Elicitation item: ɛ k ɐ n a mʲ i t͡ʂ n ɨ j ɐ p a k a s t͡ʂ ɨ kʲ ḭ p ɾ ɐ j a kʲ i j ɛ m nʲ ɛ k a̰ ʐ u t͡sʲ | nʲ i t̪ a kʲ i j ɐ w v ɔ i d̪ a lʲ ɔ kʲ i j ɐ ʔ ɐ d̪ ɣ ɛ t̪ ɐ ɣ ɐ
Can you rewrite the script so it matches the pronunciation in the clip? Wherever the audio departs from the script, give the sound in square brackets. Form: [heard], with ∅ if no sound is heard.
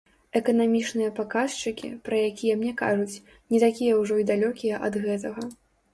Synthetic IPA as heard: ɛ k ɐ n a mʲ i t͡ʂ n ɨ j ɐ p a k a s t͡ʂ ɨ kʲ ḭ p ɾ ɐ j a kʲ i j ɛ m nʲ ɛ k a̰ ʐ u t͡sʲ | nʲ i t̪ a kʲ i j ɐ w [ʐ] ɔ i d̪ a lʲ ɔ kʲ i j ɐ ʔ ɐ d̪ ɣ ɛ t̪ ɐ ɣ ɐ